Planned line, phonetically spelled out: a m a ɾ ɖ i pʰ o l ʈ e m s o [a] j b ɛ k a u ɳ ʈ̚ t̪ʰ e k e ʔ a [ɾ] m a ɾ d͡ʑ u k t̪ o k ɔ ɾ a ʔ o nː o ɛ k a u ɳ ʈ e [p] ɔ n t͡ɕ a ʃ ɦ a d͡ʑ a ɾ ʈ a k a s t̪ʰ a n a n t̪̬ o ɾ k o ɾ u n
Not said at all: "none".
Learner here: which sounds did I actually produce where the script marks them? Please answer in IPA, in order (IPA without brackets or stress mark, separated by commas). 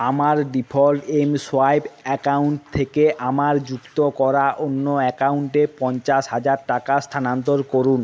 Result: a, none, p